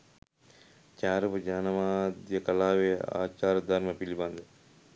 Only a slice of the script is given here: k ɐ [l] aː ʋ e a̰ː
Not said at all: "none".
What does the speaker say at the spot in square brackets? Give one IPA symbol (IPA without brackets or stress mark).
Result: l